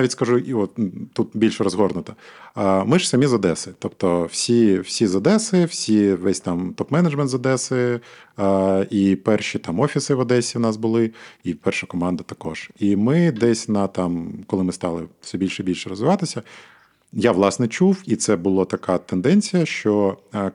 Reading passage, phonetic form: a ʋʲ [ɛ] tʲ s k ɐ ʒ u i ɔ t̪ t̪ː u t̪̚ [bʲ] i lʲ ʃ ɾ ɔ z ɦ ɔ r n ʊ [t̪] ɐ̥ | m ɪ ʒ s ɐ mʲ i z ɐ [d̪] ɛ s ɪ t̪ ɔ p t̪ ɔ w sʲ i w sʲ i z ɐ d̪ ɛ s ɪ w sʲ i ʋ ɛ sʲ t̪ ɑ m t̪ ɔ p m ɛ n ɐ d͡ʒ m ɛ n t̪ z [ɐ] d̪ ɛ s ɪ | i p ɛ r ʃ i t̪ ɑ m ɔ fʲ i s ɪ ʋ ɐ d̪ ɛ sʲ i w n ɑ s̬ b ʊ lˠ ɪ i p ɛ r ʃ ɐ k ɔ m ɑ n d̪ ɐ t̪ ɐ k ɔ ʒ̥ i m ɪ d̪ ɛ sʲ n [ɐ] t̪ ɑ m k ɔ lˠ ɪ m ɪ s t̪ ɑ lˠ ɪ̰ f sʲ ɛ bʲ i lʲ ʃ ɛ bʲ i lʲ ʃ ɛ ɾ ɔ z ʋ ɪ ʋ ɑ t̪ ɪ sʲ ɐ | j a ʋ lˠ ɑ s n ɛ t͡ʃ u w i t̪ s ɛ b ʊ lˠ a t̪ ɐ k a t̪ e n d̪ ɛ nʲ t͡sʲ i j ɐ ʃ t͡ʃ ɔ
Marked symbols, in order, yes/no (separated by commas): no, yes, yes, yes, yes, yes